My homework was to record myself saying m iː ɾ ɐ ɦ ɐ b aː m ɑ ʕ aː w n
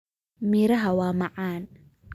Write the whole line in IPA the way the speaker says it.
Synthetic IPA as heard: m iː ɾ ɐ ɦ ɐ w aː m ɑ ʕ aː n